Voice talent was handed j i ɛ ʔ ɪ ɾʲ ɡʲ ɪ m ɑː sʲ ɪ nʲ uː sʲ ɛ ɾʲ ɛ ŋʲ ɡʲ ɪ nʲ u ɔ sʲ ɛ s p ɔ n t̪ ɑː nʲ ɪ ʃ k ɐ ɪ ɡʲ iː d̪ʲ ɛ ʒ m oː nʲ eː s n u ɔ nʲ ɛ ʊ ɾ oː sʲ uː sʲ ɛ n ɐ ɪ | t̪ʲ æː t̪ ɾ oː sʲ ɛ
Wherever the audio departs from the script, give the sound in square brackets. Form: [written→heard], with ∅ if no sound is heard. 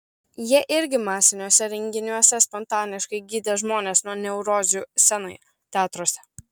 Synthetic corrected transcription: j i ɛ ʔ ɪ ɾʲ ɡʲ ɪ m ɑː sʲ ɪ nʲ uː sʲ ɛ ɾʲ ɛ ŋʲ ɡʲ ɪ nʲ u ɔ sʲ ɛ s p ɔ n t̪ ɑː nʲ ɪ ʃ k ɐ ɪ ɡʲ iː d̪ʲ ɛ ʒ m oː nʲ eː s n u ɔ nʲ ɛ ʊ ɾ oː [sʲ→zʲ] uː sʲ ɛ n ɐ ɪ | t̪ʲ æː t̪ ɾ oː sʲ ɛ